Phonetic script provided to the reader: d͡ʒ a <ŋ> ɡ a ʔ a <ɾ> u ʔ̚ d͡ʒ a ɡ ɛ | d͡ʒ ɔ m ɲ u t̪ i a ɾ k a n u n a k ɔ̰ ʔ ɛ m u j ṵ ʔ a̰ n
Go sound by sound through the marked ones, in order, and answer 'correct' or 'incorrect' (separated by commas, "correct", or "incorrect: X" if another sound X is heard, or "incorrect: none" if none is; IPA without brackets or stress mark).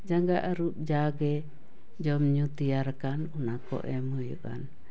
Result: correct, correct